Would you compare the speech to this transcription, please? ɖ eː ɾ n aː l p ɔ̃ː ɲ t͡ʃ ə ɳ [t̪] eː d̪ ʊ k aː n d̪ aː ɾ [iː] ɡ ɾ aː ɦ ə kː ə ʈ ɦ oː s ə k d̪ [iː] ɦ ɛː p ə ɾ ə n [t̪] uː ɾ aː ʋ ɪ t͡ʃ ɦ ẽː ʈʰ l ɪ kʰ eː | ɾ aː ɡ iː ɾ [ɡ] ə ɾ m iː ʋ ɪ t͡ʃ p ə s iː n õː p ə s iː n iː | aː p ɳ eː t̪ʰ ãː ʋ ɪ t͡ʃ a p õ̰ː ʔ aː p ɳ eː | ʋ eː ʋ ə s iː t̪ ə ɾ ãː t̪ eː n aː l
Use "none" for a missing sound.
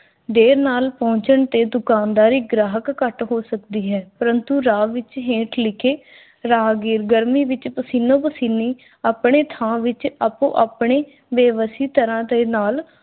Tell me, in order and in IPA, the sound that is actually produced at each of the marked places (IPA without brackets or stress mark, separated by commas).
t̪, iː, iː, t̪, ɡ